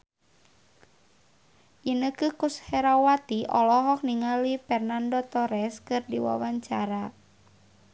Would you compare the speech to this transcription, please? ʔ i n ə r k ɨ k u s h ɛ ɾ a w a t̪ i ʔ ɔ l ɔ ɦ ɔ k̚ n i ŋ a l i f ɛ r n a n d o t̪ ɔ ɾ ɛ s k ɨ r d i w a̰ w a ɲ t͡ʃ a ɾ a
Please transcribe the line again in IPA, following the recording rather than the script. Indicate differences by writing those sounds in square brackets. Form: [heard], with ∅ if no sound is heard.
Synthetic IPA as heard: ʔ i n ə [∅] k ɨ k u s h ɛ ɾ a w a t̪ i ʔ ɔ l ɔ ɦ ɔ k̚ n i ŋ a l i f ɛ r n a n d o t̪ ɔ ɾ ɛ s k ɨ r d i w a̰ w a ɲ t͡ʃ a ɾ a